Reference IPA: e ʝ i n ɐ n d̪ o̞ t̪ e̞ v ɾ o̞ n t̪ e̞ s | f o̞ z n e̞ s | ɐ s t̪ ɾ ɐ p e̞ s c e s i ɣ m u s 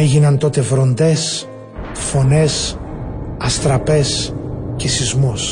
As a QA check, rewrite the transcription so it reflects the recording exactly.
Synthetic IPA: e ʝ i n ɐ n t̪ o̞ t̪ e̞ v ɾ o̞ n d̪ e̞ s | f o̞ n e̞ s | ɐ s t̪ ɾ ɐ p e̞ s c e s i z m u s